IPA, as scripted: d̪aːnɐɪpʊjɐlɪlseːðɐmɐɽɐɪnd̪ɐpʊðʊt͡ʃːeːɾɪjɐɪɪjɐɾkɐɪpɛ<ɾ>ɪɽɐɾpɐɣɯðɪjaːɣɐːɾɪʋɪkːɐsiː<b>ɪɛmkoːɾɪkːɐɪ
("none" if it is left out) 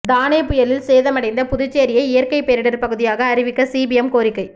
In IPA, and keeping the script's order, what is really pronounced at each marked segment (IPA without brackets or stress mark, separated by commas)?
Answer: ɾ, b